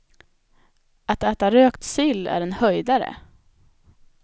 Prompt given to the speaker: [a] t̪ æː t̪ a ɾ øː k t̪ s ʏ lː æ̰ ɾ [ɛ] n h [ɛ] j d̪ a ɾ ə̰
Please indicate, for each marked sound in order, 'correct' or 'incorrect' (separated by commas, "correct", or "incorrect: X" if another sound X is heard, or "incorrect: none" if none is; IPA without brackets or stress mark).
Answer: correct, correct, incorrect: œ